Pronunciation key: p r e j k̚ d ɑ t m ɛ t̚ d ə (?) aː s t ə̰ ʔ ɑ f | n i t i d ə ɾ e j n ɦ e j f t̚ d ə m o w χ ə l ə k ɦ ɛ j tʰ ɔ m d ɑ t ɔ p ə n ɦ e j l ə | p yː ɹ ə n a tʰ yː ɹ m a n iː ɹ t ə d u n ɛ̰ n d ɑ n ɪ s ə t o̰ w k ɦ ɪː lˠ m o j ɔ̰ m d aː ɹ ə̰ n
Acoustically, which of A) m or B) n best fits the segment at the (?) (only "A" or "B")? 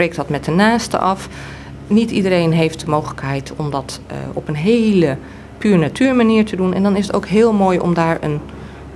B